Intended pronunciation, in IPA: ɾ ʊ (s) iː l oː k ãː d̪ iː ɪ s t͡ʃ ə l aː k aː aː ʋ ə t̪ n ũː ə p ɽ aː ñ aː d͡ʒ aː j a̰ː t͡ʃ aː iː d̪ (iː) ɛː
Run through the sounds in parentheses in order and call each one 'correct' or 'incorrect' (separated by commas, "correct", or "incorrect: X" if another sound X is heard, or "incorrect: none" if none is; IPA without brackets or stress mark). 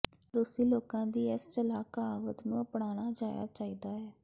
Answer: correct, incorrect: aː